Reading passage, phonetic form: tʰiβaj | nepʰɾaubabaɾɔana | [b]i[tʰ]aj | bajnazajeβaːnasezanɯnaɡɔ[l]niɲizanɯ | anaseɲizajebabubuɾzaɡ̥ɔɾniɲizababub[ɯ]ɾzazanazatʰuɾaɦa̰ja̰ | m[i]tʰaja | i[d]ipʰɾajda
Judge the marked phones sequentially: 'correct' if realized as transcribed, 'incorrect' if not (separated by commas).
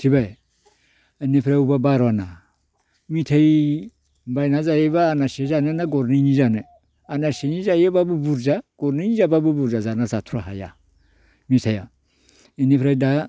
incorrect, correct, incorrect, incorrect, correct, incorrect